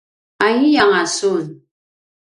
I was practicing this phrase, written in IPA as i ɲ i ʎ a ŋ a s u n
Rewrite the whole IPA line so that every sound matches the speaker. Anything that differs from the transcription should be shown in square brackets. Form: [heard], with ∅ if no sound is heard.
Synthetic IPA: [a] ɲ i [j] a ŋ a s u n